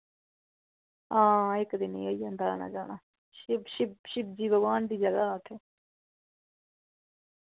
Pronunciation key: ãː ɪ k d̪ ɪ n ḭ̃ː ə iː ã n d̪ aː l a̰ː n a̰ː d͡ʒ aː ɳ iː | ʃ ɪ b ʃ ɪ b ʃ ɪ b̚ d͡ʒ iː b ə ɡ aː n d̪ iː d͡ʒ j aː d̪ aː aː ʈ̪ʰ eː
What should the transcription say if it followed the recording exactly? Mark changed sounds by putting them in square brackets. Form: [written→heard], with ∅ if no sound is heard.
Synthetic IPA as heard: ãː ɪ k d̪ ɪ n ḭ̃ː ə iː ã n d̪ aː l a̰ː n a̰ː d͡ʒ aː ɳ [iː→aː] | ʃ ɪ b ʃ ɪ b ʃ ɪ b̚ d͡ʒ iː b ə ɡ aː n d̪ iː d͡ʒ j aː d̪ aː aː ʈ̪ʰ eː